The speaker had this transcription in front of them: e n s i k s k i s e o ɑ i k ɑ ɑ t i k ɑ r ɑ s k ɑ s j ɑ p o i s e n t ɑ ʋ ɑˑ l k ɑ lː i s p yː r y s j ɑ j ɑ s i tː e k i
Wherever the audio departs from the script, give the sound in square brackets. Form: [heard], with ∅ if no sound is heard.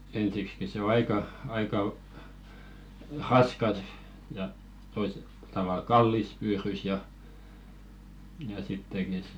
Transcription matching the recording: e n s i k s k i s e o ɑ i k ɑ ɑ [∅] i k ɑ r ɑ s k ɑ s j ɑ [t] o i s e [∅] t ɑ ʋ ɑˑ l k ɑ lː i s p yː r y s j ɑ j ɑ s i tː e k i